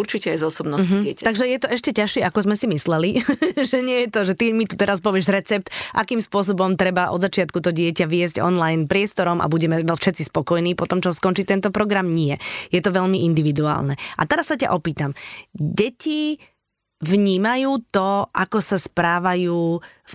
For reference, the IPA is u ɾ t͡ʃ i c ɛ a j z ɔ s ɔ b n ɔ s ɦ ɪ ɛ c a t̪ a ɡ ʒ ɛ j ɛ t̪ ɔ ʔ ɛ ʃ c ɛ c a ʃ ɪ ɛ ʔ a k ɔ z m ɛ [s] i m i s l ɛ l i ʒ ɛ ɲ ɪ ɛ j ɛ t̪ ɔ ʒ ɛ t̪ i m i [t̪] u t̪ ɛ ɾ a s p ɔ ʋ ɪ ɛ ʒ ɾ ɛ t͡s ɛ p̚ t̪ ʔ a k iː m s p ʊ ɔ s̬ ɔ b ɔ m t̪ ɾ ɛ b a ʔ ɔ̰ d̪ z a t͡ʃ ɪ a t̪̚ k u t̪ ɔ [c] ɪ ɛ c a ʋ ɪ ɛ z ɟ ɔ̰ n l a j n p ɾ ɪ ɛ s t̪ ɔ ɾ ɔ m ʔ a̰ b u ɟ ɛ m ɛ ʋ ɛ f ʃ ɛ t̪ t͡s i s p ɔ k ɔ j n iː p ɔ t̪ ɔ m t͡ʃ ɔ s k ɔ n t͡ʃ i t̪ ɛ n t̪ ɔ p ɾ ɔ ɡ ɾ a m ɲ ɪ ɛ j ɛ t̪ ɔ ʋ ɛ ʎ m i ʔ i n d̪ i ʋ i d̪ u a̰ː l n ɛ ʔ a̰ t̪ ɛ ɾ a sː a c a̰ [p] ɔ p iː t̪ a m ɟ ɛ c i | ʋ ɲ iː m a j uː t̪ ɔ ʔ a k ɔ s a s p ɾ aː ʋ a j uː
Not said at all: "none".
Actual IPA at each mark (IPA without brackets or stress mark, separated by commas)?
s, t̪, ɟ, ʔ